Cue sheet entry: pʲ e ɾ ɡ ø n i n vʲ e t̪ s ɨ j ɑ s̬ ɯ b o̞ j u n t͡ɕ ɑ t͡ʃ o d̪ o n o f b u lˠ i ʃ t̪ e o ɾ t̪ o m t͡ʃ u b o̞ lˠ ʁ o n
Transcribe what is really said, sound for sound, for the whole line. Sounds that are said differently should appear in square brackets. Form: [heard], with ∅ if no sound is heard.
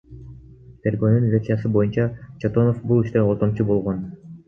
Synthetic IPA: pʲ e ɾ ɡ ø n [y] n vʲ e t̪ s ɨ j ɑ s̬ ɯ b o̞ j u n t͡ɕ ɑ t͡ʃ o [t̪] o n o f b u lˠ i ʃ t̪ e o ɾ t̪ o m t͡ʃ u b o̞ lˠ ʁ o n